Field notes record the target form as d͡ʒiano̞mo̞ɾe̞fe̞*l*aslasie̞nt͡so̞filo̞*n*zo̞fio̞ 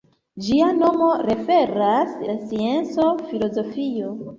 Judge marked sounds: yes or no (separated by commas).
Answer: no, no